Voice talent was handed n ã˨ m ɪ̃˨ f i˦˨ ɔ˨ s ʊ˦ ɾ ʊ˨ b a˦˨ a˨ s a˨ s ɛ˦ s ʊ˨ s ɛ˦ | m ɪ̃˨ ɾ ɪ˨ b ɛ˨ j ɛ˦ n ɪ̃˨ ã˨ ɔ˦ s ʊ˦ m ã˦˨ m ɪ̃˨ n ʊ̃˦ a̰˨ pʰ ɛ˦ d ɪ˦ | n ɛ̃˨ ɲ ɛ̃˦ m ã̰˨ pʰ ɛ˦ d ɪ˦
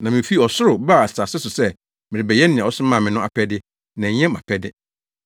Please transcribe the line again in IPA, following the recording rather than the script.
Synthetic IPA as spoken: n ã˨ m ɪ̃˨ f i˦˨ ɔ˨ s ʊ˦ ɾ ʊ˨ b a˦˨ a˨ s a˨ s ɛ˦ s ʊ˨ s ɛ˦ | m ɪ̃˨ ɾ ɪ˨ b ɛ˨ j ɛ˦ n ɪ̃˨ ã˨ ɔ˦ s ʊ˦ m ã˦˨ m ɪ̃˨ n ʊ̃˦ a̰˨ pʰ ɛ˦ d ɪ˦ | n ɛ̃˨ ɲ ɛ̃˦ m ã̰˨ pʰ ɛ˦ d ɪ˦

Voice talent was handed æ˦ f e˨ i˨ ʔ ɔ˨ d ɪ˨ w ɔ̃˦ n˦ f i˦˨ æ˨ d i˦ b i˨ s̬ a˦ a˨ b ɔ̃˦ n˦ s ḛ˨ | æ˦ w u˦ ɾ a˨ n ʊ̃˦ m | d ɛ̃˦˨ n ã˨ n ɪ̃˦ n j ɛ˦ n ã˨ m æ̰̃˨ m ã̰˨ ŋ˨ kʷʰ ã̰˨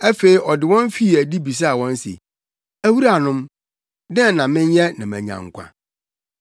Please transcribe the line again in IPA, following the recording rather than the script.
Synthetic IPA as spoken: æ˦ f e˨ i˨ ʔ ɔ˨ d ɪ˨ w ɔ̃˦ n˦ f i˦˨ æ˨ d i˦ b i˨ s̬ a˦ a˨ w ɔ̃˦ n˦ s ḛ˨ | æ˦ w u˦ ɾ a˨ n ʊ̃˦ m | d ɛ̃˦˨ n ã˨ m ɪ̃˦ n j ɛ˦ n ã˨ m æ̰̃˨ ɲ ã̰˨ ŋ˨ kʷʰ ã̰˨

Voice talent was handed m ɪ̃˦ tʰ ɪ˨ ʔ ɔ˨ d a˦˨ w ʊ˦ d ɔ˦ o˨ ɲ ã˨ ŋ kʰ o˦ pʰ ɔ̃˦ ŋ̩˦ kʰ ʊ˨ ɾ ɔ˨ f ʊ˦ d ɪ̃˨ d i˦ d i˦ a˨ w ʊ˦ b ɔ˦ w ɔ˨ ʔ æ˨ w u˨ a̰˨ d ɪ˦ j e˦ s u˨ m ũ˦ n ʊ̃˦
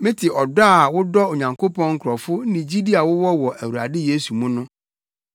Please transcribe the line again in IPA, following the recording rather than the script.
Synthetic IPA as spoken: m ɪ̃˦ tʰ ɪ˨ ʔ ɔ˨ d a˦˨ w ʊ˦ d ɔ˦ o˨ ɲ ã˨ ŋ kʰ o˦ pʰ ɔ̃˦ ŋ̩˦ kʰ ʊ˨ ɾ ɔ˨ f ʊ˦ n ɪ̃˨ d͡ʑ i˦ d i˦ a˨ w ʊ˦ w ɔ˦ w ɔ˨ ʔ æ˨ w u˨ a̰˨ d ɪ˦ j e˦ s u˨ m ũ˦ n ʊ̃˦

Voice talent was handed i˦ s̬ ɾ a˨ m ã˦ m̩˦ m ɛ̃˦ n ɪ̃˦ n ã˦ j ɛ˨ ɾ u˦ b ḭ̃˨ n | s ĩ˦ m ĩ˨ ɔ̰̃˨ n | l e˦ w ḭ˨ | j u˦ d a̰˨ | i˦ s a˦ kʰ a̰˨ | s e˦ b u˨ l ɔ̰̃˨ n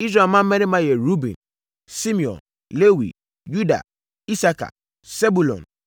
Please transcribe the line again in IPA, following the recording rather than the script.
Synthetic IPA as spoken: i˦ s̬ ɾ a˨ m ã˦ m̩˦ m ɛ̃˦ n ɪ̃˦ m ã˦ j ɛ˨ ɾ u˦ b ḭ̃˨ n | s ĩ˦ m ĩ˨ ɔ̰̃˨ n | l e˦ w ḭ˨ | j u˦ d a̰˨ | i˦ s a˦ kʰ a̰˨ | s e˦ b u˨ l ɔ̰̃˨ n

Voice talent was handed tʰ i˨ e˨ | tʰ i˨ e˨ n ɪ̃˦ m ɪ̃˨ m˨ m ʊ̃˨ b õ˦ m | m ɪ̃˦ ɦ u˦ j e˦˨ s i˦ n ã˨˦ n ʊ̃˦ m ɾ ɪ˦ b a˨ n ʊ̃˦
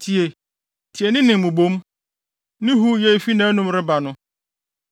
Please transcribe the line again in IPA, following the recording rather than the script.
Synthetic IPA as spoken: tʰ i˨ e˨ | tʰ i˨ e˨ n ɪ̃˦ n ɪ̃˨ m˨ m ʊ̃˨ b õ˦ m | n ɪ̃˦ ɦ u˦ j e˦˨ f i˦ n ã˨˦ n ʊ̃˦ m ɾ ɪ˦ b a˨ n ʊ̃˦

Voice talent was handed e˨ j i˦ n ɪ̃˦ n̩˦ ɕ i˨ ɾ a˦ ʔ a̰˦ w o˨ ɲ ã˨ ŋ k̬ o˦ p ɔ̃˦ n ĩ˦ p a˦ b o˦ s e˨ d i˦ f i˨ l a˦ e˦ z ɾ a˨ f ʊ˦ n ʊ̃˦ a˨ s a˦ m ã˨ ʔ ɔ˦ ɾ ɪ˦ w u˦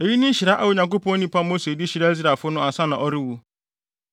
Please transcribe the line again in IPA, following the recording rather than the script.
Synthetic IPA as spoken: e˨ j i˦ n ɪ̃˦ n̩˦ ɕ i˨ ɾ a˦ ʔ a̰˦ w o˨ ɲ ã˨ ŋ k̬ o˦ p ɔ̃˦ n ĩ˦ p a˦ m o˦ s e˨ d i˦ ɕ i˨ ɾ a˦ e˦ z ɾ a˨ f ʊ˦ n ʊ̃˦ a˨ s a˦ n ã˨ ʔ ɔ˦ ɾ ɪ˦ w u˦

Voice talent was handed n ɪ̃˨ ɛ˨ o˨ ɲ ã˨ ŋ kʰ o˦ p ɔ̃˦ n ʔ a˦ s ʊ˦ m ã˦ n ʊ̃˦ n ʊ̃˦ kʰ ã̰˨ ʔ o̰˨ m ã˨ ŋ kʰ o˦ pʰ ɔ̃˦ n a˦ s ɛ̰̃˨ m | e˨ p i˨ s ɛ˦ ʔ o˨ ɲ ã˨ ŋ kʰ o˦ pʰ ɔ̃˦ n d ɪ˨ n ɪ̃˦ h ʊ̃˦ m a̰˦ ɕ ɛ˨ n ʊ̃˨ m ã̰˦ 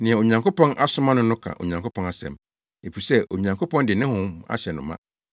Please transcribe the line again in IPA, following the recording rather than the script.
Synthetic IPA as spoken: n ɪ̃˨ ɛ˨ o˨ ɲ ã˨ ŋ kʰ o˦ p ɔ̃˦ n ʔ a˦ s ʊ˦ m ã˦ n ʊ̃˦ n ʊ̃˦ kʰ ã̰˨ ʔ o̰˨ ɲ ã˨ ŋ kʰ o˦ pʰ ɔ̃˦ n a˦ s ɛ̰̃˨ m | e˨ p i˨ s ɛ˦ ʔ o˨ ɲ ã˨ ŋ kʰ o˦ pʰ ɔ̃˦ n d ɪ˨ n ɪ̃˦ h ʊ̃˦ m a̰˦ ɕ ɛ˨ n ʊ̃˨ m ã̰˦

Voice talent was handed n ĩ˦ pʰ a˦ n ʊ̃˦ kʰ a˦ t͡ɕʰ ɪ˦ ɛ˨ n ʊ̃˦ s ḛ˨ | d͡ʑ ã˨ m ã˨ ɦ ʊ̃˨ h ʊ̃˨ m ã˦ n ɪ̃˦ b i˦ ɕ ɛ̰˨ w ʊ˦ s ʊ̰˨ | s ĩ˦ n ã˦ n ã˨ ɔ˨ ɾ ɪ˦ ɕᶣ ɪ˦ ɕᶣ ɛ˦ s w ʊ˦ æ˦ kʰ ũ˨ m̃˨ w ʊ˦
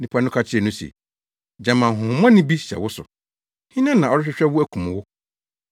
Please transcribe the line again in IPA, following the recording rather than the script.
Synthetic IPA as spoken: n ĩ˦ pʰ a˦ n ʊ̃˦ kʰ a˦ t͡ɕʰ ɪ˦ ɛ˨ n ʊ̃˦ s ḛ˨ | d͡ʑ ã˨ m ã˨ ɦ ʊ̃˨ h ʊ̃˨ m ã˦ n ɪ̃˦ b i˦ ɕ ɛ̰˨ w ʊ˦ s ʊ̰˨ | h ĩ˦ n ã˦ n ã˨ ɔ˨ ɾ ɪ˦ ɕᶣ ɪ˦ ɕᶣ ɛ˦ w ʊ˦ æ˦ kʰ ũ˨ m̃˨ w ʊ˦

